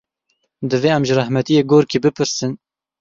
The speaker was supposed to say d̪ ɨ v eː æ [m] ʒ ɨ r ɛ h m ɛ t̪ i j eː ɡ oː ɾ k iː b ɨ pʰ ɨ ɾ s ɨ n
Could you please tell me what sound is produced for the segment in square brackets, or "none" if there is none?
m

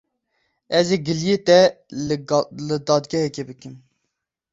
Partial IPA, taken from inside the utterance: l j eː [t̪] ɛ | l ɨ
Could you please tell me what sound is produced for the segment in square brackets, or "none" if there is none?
t̪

